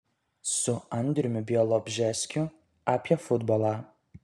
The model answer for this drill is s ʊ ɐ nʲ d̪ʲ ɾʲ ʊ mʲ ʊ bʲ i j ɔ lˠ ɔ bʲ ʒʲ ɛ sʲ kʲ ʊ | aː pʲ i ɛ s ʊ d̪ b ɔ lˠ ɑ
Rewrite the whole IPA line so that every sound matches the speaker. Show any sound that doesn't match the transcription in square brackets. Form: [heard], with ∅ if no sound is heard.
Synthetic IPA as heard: s ʊ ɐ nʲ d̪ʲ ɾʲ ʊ mʲ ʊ bʲ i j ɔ lˠ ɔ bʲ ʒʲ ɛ sʲ kʲ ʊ | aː pʲ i ɛ [f] ʊ d̪ b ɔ lˠ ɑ